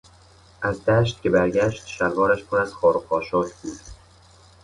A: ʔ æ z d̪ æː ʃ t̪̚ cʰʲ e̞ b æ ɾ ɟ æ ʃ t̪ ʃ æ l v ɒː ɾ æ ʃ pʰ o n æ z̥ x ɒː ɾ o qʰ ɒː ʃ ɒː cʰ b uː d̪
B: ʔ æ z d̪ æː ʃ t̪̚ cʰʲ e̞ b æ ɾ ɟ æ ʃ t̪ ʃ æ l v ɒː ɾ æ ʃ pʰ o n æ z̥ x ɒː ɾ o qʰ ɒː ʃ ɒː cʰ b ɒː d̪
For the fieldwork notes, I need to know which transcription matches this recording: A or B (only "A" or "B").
A